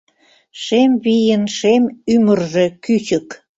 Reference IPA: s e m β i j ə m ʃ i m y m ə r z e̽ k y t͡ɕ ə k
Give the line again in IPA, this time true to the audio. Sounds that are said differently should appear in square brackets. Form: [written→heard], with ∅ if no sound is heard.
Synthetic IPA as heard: [s→ʃ] e m β i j ə [m→n] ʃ [i→e] m y m ə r [z→ʒ] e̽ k y t͡ɕ ə k